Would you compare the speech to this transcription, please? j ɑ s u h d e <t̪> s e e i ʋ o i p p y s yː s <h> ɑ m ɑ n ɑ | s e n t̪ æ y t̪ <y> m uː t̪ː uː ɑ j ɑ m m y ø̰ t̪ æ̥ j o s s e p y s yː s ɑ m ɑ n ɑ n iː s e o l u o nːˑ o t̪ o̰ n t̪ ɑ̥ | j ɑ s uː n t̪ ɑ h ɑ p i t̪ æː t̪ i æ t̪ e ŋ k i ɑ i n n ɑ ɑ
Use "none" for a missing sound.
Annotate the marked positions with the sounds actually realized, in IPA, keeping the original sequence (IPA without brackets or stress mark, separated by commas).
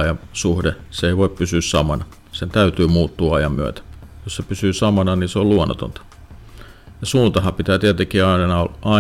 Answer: none, s, yː